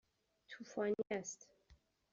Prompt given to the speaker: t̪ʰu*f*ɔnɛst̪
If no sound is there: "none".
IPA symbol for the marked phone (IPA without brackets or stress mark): f